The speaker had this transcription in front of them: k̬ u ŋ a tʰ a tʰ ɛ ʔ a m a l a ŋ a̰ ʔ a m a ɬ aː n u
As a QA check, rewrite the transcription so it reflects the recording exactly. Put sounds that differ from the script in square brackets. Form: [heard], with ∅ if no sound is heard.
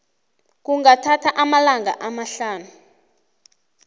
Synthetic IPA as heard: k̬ u ŋ a tʰ a tʰ [a] ʔ a m a l a ŋ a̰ ʔ a m a ɬ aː n u